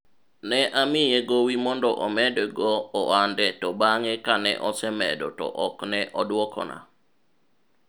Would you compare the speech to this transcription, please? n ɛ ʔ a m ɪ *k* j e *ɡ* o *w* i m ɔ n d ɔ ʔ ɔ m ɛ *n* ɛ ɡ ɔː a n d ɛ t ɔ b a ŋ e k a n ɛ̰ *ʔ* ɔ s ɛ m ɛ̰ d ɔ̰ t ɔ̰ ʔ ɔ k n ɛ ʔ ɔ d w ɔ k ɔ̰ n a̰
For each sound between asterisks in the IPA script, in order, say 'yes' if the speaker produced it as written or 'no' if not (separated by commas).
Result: no, yes, yes, no, yes